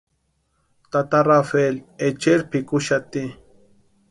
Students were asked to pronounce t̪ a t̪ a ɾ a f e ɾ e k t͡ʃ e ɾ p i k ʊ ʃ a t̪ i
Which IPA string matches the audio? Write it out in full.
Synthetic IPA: t̪ a t̪ a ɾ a f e l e t͡ʃ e ɾ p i k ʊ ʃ a t̪ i